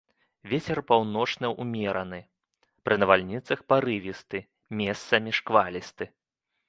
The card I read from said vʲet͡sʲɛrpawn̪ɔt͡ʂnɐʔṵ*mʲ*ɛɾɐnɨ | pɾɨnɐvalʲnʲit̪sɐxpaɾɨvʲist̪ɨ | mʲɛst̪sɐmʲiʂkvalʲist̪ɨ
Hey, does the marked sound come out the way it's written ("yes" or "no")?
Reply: yes